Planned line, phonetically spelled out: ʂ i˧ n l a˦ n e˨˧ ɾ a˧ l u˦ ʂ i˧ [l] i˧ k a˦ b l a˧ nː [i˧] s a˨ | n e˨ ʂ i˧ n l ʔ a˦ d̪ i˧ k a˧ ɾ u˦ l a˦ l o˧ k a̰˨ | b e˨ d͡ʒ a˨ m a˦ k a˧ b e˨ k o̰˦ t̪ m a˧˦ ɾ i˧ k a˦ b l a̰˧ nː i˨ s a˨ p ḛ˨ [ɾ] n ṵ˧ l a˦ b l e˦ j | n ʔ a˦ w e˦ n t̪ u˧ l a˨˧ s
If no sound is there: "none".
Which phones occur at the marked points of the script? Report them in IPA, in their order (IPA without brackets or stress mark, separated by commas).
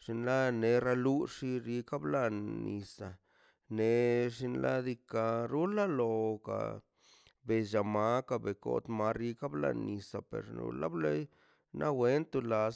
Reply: ɾ, i˧, ɾ